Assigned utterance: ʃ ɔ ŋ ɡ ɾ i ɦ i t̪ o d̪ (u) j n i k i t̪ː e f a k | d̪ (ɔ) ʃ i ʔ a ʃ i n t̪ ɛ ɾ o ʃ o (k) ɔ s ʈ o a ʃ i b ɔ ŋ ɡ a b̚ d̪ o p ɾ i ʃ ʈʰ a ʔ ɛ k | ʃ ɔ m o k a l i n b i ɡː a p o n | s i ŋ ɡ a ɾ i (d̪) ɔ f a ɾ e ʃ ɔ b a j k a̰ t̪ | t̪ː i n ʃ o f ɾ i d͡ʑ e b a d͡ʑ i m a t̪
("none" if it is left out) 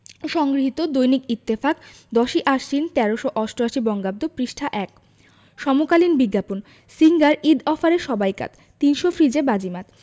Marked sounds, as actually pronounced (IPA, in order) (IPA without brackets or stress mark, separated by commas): o, ɔ, ʔ, d̪